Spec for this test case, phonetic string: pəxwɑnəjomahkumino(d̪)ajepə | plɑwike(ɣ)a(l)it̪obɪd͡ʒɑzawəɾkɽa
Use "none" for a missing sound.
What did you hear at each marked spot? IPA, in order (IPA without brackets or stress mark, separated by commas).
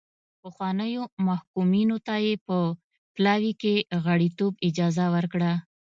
t̪, ɣ, ɽ